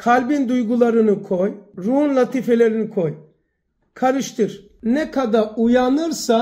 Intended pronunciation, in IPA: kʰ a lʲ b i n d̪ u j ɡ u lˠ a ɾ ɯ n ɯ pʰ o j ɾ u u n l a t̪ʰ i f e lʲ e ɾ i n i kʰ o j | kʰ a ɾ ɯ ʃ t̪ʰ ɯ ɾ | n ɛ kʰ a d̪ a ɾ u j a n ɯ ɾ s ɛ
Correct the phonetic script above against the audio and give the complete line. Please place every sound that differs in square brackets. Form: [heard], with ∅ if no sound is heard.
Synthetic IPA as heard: kʰ a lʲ b i n d̪ u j ɡ u lˠ a ɾ ɯ n ɯ [kʰ] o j ɾ u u n l a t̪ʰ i f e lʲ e ɾ i n i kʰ o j | kʰ a ɾ ɯ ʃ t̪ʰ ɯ ɾ | n ɛ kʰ a d̪ a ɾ u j a n ɯ ɾ s [a]

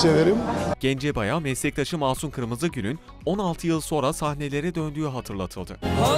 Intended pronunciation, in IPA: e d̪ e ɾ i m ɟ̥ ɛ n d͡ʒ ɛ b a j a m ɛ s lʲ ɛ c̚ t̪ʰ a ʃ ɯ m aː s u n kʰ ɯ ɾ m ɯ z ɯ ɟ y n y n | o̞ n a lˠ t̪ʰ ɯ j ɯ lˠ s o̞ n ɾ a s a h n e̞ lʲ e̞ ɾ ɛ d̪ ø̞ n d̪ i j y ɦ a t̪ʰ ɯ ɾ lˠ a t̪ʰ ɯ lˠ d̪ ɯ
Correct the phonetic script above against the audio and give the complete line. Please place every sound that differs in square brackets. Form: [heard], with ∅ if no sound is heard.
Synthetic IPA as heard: e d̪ e ɾ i m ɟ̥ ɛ n d͡ʒ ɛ b a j a m ɛ s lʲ ɛ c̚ t̪ʰ a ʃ ɯ m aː s u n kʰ ɯ ɾ m ɯ z ɯ ɟ y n y n | o̞ n a lˠ t̪ʰ ɯ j ɯ lˠ s o̞ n ɾ a s a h n e̞ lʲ e̞ ɾ ɛ d̪ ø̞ n d̪ [y] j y ɦ a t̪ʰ ɯ ɾ lˠ a t̪ʰ ɯ lˠ d̪ ɯ

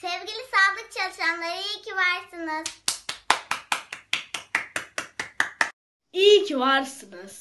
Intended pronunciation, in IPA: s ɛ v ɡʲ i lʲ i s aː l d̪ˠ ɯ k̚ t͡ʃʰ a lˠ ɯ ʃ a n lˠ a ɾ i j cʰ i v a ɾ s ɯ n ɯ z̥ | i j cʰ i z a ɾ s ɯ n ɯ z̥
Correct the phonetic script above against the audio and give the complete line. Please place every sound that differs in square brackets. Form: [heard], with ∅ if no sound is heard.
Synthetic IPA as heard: s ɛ v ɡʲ i lʲ i s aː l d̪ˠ ɯ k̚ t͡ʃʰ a lˠ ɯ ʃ a n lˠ a ɾ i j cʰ i v a ɾ s ɯ n ɯ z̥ | i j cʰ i [v] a ɾ s ɯ n ɯ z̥

